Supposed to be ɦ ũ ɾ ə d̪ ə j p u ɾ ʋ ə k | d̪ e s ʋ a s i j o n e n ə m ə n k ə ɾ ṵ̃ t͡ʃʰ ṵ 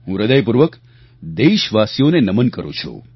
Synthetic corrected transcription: ɦ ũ ɾ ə d̪ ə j p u ɾ ʋ ə k | d̪ e ʃ ʋ a s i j o n e n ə m ə n k ə ɾ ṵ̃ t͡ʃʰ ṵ